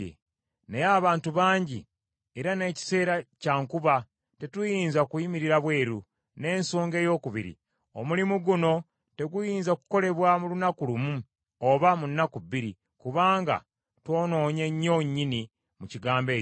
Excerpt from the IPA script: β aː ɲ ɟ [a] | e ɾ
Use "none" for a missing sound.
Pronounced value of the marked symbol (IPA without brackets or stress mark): i